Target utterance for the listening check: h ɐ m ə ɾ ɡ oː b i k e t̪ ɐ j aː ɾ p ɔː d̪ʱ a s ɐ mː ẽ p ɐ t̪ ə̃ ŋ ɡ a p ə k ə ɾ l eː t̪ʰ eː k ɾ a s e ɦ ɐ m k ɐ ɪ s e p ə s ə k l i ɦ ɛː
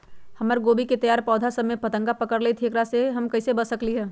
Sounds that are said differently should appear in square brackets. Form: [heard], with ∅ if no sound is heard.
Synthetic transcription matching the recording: h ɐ m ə ɾ ɡ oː b i k e t̪ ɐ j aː ɾ p ɔː d̪ʱ a s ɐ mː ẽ p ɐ t̪ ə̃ ŋ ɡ a p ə k ə ɾ l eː t̪ʰ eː k ɾ a s e ɦ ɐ m k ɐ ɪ s e [b] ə s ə k l i ɦ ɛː